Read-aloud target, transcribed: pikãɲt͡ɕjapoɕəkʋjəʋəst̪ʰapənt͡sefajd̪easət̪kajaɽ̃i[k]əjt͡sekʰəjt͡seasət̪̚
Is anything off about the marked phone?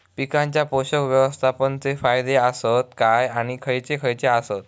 yes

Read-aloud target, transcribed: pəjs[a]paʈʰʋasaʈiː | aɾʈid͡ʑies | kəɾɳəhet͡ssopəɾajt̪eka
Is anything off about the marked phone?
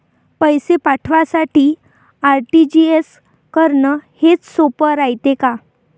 yes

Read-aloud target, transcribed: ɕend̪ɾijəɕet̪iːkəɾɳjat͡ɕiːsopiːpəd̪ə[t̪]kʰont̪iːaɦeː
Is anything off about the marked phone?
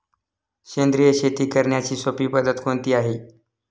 no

